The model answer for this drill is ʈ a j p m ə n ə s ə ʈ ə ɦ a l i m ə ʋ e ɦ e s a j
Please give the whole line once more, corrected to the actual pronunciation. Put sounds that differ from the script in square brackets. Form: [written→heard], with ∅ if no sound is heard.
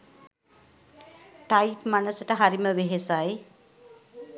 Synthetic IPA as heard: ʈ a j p m [ə→a] n ə s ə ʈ ə ɦ a [l→ɾ] i m ə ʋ e ɦ e s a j

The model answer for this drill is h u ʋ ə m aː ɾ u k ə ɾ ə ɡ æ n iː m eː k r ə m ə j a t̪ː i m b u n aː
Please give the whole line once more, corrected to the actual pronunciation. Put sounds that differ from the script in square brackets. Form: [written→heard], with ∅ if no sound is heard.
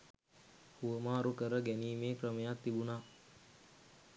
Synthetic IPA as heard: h u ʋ ə m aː ɾ u k ə ɾ ə ɡ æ n iː m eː k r ə m ə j a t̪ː i [m→∅] b u n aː

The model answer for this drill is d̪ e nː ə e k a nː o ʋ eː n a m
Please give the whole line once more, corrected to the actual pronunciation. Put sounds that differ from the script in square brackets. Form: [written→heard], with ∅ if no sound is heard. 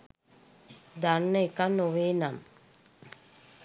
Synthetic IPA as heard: d̪ [e→a] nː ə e k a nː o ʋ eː n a m

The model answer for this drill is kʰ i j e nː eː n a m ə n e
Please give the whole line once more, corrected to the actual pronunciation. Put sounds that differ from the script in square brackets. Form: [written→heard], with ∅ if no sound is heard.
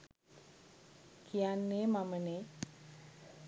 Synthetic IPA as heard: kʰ i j [e→a] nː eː [n→m] a m ə n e

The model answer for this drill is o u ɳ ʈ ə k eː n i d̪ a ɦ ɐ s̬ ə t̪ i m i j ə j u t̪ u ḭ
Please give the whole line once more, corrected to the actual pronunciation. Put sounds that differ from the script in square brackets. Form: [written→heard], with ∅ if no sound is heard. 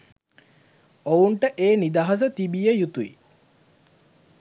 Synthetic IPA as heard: o u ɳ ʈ ə [k→ʔ] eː n i d̪ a ɦ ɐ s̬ ə t̪ i [m→b] i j ə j u t̪ u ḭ

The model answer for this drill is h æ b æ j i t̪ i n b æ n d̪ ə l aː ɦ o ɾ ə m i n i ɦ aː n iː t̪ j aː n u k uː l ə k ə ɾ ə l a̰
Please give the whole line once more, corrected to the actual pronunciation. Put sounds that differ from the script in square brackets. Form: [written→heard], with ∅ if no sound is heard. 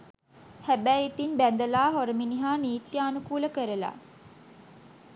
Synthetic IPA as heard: h æ b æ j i t̪ i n b æ n d̪ ə l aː ɦ o ɾ ə m i n i ɦ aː n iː t̪ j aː n u k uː l ə k ə ɾ ə l a̰

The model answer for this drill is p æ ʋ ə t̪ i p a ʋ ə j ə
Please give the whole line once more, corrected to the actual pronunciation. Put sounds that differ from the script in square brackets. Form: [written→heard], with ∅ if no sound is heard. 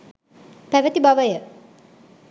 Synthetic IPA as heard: p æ ʋ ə t̪ i [p→b] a ʋ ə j ə

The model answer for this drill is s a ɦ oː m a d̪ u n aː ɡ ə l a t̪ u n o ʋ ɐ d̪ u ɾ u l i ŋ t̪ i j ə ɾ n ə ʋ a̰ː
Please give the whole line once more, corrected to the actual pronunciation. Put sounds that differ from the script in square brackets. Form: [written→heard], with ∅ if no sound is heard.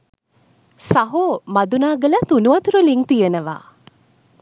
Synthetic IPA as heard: s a ɦ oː m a d̪ u n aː ɡ ə l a t̪ u n [o→u] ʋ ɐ [d̪→t̪] u ɾ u l i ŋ t̪ i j ə [ɾ→∅] n ə ʋ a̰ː

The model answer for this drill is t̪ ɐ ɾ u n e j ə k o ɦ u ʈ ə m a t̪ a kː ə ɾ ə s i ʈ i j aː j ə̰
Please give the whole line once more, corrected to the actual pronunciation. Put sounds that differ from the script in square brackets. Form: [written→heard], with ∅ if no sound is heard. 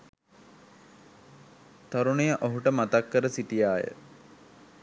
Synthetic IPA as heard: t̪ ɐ ɾ u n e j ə [k→ʔ] o ɦ u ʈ ə m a t̪ a kː ə ɾ ə s i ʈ i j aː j ə̰

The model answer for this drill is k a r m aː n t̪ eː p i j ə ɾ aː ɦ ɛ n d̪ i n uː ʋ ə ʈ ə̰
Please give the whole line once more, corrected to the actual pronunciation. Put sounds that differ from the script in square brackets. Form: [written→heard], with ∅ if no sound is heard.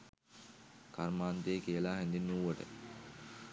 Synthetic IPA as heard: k a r m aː n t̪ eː [p→k] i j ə [ɾ→l] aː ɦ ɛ n d̪ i n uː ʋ ə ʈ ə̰

